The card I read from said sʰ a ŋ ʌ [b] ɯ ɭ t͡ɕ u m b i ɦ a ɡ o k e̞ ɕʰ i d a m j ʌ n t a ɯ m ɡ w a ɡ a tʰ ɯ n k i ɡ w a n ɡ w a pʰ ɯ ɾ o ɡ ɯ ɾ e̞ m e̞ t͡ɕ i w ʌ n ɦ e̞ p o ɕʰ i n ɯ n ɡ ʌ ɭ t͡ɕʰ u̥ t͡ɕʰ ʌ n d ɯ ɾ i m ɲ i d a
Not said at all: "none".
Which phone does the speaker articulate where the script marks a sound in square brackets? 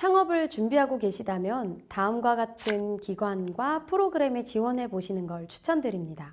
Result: b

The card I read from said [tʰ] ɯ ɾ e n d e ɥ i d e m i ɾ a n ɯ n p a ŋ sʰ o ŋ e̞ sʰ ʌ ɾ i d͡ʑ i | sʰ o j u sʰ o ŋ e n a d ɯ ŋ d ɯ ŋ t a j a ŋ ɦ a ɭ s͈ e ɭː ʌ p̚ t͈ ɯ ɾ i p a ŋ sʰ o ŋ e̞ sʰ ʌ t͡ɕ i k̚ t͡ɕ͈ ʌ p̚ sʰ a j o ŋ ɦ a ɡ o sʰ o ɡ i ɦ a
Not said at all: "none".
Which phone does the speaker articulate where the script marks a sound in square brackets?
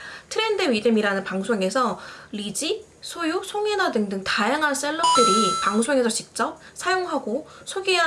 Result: tʰ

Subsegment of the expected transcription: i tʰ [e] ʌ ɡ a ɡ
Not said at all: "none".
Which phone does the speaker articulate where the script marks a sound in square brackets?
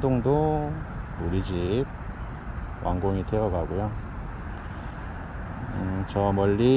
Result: e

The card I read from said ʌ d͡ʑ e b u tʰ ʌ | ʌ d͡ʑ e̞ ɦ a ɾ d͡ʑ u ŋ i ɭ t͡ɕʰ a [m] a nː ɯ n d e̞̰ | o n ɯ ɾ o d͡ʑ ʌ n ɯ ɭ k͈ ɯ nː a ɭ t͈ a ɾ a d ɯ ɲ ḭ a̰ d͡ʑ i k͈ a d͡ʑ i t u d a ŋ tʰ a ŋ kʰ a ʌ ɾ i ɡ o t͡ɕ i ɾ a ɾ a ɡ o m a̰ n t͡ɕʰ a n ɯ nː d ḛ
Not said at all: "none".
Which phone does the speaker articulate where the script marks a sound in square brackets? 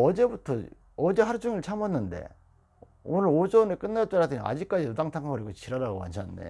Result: m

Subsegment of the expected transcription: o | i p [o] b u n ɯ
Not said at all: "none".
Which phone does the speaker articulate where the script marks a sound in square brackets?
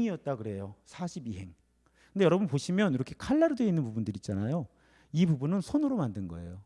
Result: u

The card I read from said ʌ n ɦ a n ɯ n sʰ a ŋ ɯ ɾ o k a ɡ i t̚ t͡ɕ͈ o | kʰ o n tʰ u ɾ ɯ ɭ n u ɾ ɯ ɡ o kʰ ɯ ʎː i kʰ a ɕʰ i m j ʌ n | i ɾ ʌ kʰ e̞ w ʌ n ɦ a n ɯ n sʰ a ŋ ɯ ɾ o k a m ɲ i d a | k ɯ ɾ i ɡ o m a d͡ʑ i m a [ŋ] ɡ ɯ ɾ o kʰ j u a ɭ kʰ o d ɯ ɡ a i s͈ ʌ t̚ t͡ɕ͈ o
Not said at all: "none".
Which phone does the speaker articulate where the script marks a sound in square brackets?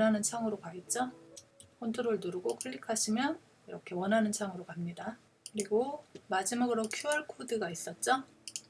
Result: none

